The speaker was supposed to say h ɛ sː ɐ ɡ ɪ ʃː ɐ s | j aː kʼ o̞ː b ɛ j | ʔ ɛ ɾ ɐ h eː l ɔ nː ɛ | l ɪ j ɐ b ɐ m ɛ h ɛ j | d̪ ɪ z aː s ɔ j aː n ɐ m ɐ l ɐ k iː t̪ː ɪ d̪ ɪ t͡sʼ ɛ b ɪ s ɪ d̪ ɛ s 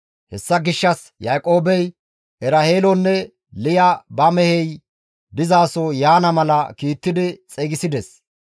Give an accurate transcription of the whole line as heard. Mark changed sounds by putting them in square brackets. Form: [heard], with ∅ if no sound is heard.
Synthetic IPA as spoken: h ɛ sː ɐ ɡ ɪ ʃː ɐ s | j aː kʼ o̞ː b ɛ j | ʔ ɛ ɾ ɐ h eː l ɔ nː ɛ | l ɪ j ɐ b ɐ m ɛ h ɛ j | d̪ ɪ z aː s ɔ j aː n ɐ m ɐ l ɐ k iː t̪ː ɪ d̪ ɪ t͡sʼ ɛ [ɡ] ɪ s ɪ d̪ ɛ s

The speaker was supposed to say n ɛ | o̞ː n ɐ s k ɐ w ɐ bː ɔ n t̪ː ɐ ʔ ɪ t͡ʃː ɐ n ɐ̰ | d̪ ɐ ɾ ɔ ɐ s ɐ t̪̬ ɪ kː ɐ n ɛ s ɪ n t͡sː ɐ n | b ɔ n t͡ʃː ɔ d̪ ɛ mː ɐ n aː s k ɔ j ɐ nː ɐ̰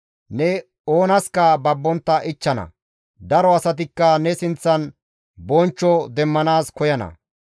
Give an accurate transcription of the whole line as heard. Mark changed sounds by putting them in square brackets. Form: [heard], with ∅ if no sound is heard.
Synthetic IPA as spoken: n ɛ | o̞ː n ɐ s k ɐ [b] ɐ bː ɔ n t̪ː ɐ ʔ ɪ t͡ʃː ɐ n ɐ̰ | d̪ ɐ ɾ ɔ ɐ s ɐ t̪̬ ɪ kː ɐ n ɛ s ɪ n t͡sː ɐ n | b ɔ n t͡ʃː ɔ d̪ ɛ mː ɐ n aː s k ɔ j ɐ [n] ɐ̰

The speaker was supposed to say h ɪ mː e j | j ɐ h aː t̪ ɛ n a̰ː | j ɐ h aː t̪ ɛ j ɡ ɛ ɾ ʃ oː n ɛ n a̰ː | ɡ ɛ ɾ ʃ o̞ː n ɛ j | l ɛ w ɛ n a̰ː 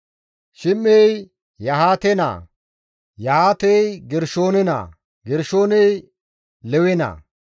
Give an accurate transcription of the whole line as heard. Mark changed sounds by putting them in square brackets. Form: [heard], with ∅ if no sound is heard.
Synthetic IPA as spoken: [ʃ] ɪ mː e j | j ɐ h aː t̪ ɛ n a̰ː | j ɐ h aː t̪ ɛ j ɡ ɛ ɾ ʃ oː n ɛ n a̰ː | ɡ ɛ ɾ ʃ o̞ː n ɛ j | l ɛ w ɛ n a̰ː

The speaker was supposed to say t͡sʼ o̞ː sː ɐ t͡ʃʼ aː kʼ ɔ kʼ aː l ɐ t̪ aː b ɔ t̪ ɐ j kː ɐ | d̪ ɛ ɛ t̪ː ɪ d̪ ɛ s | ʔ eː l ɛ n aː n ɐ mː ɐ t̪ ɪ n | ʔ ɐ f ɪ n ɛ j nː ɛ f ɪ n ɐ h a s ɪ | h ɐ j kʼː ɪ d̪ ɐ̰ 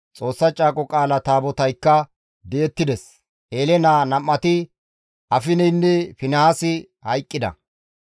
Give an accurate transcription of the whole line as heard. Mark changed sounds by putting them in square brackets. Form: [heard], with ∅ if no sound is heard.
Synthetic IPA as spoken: t͡sʼ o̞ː sː ɐ t͡ʃʼ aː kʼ ɔ kʼ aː l ɐ t̪ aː b ɔ t̪ ɐ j kː ɐ | d̪ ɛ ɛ t̪ː ɪ d̪ ɛ s | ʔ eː l ɛ n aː n ɐ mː ɐ t̪ ɪ [∅] | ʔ ɐ f ɪ n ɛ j nː ɛ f ɪ n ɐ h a s ɪ | h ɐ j kʼː ɪ d̪ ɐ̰

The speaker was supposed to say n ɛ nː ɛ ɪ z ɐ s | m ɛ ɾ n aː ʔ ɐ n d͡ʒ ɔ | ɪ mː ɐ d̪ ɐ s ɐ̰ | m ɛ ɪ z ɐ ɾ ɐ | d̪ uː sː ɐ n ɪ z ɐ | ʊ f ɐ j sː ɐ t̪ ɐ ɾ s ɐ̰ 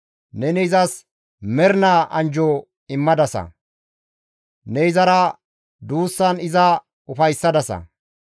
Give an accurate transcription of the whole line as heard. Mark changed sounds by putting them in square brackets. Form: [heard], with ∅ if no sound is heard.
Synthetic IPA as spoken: n ɛ [n] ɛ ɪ z ɐ s | m ɛ ɾ n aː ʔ ɐ n d͡ʒ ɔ | ɪ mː ɐ d̪ ɐ s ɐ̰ | [n] ɛ ɪ z ɐ ɾ ɐ | d̪ uː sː ɐ n ɪ z ɐ | ʊ f ɐ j sː ɐ [d̪] ɐ [∅] s ɐ̰

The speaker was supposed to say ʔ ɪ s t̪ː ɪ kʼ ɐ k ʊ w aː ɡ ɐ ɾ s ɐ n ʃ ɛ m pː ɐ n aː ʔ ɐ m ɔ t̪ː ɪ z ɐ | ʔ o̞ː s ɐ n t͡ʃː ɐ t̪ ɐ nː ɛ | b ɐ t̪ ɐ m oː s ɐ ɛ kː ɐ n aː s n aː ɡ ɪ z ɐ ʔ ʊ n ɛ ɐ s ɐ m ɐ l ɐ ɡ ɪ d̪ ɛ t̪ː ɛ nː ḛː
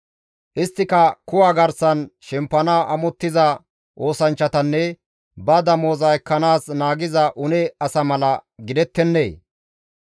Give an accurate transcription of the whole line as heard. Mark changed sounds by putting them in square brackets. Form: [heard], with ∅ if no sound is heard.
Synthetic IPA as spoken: ʔ ɪ s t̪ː ɪ [k] ɐ k ʊ w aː ɡ ɐ ɾ s ɐ n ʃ ɛ m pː ɐ n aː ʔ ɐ m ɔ t̪ː ɪ z ɐ | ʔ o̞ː s ɐ n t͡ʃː ɐ t̪ ɐ nː ɛ | b ɐ [d̪] ɐ m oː [z] ɐ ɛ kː ɐ n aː s n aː ɡ ɪ z ɐ ʔ ʊ n ɛ ɐ s ɐ m ɐ l ɐ ɡ ɪ d̪ ɛ t̪ː ɛ nː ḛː

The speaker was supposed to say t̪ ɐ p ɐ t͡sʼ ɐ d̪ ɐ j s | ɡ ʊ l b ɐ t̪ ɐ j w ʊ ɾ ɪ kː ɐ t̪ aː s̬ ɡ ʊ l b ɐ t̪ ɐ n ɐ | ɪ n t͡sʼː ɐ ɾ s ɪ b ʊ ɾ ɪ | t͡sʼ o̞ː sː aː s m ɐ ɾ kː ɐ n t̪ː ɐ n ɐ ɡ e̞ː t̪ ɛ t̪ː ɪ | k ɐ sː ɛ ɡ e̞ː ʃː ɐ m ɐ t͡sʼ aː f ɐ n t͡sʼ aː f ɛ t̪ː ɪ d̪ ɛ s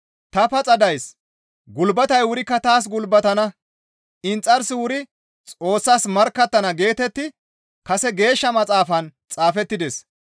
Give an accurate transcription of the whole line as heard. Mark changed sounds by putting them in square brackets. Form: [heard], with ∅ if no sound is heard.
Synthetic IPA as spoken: t̪ ɐ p ɐ t͡sʼ ɐ d̪ ɐ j s | ɡ ʊ l b ɐ t̪ ɐ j w ʊ ɾ ɪ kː ɐ t̪ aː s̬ ɡ ʊ l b ɐ t̪ ɐ n ɐ | ɪ n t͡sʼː ɐ ɾ s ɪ [w] ʊ ɾ ɪ | t͡sʼ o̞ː sː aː s m ɐ ɾ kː ɐ [∅] t̪ː ɐ n ɐ ɡ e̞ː t̪ ɛ t̪ː ɪ | k ɐ [s] ɛ ɡ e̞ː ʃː ɐ m ɐ t͡sʼ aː f ɐ n t͡sʼ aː f ɛ t̪ː ɪ d̪ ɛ s

